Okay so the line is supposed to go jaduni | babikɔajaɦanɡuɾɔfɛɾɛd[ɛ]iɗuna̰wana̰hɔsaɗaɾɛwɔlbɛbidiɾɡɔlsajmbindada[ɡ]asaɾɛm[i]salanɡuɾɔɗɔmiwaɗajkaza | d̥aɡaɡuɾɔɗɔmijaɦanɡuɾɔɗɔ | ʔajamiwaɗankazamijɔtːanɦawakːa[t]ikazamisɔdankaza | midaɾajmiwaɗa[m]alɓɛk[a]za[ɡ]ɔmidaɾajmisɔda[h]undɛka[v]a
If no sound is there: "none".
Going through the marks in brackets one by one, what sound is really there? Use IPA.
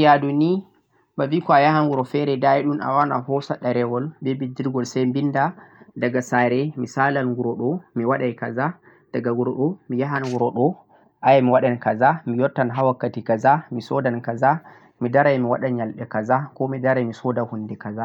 a, ɡ, i, t, ɲ, a, k, h, z

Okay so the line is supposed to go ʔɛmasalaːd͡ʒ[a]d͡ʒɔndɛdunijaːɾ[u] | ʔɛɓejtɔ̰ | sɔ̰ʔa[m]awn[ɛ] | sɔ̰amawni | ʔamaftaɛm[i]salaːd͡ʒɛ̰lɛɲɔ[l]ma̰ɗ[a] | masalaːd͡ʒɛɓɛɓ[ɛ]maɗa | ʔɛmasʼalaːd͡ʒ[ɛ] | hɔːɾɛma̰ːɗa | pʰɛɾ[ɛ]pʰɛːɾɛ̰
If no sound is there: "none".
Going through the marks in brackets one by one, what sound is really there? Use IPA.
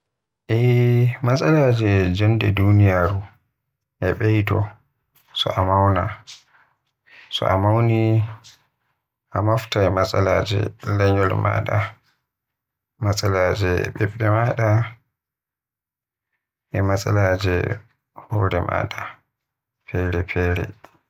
ɛ, u, m, a, a, l, a, ɛ, ɛ, ɛ

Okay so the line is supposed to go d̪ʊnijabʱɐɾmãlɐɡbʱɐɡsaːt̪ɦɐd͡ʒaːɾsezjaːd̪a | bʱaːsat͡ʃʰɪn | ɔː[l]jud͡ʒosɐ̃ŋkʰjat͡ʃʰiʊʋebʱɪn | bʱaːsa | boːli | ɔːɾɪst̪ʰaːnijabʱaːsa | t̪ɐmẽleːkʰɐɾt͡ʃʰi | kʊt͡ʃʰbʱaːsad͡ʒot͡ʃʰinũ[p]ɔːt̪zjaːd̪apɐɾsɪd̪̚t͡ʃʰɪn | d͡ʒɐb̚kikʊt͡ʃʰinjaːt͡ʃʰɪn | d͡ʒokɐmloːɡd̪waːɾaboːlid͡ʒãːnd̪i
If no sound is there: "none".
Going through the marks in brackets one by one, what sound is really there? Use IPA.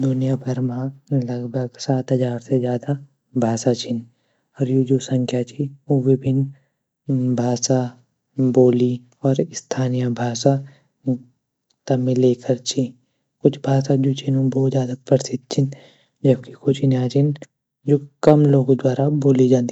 ɾ, b

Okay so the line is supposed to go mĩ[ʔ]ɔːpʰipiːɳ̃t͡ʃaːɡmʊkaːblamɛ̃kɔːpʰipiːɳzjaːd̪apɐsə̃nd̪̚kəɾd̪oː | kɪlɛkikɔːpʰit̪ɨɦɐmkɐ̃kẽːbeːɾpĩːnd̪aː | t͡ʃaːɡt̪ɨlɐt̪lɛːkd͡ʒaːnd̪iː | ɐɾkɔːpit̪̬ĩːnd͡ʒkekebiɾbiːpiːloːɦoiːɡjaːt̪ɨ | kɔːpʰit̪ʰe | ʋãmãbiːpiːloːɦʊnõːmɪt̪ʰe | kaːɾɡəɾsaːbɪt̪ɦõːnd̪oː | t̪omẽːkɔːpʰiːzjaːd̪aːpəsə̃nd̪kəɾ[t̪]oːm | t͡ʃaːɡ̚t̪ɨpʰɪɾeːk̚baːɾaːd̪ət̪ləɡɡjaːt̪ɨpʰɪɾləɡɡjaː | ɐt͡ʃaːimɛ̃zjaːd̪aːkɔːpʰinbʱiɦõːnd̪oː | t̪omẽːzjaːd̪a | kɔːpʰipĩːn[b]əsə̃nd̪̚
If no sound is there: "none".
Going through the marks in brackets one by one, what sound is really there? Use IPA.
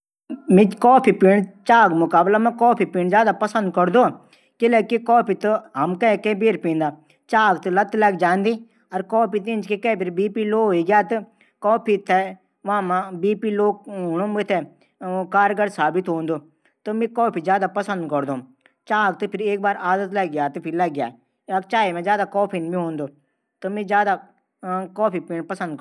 k, d̪, p

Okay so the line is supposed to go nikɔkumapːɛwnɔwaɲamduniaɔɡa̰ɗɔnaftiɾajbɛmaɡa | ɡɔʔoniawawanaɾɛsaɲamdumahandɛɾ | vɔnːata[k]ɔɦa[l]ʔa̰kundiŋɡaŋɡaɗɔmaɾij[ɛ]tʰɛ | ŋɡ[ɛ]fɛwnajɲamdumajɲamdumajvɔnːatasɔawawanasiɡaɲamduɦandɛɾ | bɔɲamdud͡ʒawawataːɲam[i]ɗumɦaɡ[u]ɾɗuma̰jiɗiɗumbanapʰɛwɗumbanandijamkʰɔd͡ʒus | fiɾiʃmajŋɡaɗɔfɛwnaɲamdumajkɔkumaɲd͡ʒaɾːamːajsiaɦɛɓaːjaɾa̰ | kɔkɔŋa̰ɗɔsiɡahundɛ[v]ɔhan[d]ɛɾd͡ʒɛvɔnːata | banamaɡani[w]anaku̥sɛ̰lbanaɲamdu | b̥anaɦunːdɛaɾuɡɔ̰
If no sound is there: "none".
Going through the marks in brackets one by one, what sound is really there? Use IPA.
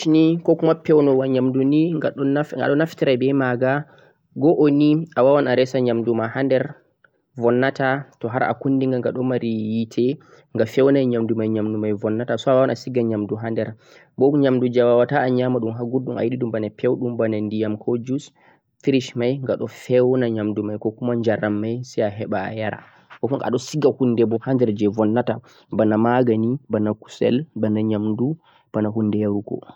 t, ɾ, i, a, a, u, b, d, b

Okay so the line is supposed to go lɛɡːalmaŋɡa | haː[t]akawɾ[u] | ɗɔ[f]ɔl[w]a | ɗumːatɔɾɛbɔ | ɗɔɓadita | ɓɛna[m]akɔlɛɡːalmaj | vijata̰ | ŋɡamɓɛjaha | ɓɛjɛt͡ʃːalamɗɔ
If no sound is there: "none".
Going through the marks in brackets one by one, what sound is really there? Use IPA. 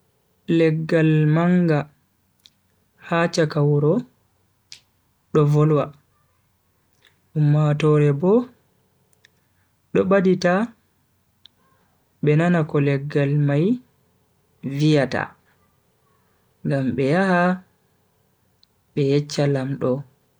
t͡ʃ, ɔ, v, w, n

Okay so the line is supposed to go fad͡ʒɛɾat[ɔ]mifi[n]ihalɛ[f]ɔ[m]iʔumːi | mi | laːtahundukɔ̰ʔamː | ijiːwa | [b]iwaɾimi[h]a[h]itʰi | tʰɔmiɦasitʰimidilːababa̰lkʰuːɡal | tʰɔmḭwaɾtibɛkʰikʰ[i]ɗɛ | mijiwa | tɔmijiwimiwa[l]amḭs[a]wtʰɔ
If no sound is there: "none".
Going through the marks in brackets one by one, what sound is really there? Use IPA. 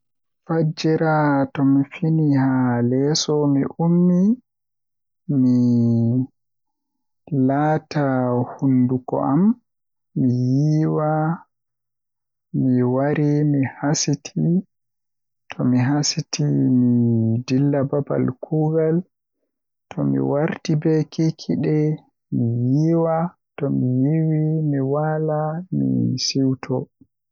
ɔ, n, s, m, m, h, s, i, l, i

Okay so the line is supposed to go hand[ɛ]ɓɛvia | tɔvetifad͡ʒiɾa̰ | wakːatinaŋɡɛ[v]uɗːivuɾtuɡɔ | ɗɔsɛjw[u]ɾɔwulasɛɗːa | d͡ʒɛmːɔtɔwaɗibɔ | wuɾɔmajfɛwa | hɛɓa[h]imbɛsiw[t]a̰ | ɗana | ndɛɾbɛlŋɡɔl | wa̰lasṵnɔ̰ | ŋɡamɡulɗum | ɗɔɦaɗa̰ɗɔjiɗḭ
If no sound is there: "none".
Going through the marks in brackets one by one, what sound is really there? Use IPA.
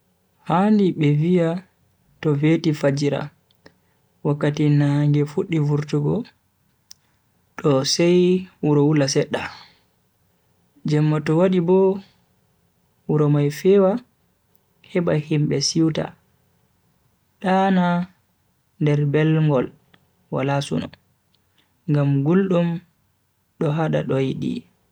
i, f, u, h, t

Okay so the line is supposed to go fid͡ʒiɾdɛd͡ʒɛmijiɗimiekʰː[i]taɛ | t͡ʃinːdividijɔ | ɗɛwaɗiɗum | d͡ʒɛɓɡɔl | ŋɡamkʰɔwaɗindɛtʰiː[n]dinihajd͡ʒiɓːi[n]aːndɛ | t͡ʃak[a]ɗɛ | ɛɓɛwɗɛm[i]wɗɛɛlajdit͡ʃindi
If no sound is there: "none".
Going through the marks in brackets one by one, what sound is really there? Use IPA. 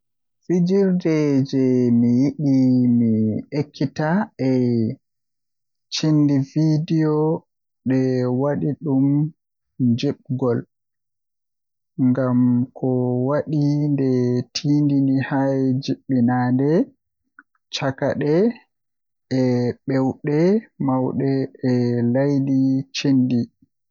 i, n, n, a, a

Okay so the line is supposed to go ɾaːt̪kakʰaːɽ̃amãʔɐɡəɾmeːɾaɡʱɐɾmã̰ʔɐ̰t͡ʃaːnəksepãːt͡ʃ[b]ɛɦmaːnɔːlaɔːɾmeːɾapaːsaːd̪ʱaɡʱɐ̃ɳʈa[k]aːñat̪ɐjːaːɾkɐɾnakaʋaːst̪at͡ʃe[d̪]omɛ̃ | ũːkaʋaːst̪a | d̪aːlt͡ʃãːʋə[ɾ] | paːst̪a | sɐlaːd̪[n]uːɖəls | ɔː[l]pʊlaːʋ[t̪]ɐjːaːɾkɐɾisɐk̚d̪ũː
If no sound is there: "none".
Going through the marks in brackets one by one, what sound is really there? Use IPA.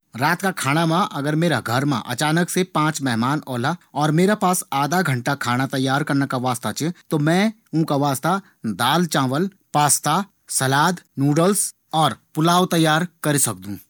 m, kʰ, t̪, l, n, ɾ, t̪

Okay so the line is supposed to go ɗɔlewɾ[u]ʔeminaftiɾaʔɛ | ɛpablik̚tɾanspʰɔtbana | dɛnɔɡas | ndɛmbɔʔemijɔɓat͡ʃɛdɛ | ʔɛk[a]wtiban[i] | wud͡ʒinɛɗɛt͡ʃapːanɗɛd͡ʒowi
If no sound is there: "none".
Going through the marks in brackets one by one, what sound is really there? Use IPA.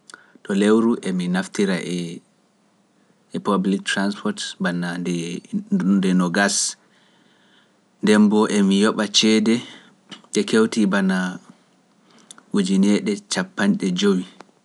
u, e, a

